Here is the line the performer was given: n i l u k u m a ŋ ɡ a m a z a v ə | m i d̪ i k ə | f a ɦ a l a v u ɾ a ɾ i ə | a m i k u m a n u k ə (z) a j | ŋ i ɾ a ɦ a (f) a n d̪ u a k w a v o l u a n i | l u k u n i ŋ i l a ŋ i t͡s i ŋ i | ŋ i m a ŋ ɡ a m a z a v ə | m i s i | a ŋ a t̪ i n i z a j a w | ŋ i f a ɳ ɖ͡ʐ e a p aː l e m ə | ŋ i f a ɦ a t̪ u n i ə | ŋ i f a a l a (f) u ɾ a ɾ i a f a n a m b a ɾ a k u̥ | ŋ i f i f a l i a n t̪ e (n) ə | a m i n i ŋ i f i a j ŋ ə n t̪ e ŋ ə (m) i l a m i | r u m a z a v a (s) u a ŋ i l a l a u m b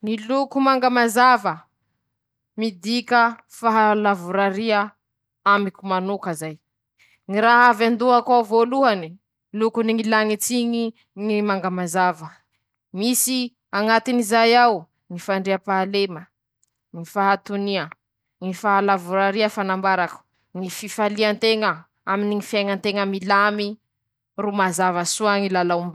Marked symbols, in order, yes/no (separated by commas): yes, no, no, no, yes, yes